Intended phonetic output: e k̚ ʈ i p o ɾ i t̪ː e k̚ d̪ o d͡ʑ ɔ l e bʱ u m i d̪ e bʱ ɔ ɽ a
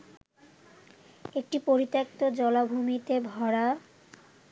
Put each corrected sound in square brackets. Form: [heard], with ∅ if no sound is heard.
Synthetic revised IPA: e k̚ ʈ i p o ɾ i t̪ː e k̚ [t̪] o d͡ʑ ɔ l [a] bʱ u m i [t̪] e bʱ ɔ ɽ a